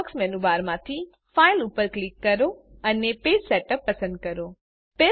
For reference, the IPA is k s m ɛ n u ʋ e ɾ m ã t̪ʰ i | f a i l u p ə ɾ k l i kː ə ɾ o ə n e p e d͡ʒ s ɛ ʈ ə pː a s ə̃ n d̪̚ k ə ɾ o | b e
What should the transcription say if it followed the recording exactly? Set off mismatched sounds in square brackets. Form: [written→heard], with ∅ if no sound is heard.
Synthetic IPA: k s m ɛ n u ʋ [e→a] ɾ m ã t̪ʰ i | f a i l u p ə ɾ k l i kː ə ɾ o ə n e p e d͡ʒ s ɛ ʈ ə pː [a→ə] s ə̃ n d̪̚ k ə ɾ o | [b→p] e